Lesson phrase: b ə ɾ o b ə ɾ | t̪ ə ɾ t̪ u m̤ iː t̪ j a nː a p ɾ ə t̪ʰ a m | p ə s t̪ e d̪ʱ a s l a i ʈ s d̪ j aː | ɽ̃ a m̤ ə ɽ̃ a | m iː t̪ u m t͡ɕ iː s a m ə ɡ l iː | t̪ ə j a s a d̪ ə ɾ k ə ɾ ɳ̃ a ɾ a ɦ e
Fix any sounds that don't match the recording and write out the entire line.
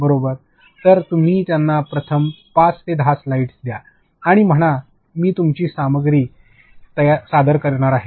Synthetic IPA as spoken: b ə ɾ o b ə ɾ | t̪ ə ɾ t̪ u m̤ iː t̪ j a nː a p ɾ ə t̪ʰ ə m | p a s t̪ e d̪ʱ a s l a i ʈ s d̪ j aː | ɽ̃ i m̤ ə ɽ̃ a | m iː t̪ u m t͡ɕ iː s a m ə ɡ ɾ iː | t̪ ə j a s a d̪ ə ɾ k ə ɾ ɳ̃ a ɾ a ɦ e